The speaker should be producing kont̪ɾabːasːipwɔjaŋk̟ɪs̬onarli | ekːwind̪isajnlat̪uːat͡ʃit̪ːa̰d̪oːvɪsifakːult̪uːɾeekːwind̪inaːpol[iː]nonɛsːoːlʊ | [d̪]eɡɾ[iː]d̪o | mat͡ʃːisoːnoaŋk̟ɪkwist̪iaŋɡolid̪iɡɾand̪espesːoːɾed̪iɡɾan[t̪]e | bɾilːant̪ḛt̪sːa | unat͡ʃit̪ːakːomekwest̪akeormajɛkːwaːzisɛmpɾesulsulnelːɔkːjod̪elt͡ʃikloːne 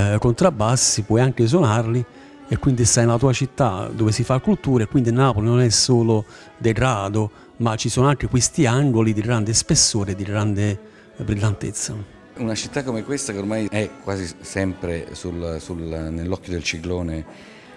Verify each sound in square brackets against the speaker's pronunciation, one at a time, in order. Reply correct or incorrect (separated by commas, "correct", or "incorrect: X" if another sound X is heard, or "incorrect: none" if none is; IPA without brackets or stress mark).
incorrect: i, correct, incorrect: aː, incorrect: d̪